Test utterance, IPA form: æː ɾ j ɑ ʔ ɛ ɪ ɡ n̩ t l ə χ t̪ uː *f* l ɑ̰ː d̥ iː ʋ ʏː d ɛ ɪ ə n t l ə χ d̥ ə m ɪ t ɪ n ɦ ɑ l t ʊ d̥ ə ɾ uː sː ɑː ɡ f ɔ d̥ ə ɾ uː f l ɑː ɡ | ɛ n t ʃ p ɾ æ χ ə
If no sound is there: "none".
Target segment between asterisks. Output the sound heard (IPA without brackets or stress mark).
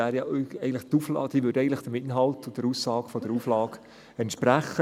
f